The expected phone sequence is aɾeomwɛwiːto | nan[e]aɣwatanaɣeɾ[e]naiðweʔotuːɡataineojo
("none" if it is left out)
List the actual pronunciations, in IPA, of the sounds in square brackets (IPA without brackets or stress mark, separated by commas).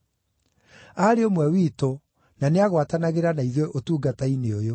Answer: e, a